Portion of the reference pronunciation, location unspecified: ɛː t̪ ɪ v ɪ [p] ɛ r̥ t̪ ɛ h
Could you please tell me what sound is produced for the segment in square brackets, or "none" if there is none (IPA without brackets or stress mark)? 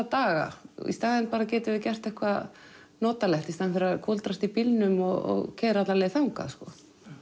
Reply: c